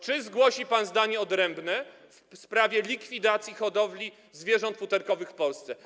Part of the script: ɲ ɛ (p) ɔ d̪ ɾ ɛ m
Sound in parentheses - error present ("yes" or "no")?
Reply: yes